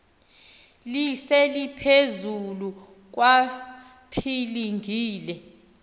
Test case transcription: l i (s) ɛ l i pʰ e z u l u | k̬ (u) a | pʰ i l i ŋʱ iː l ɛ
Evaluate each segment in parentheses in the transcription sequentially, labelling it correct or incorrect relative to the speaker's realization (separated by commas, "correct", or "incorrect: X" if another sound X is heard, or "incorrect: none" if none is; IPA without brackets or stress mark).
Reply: correct, incorrect: w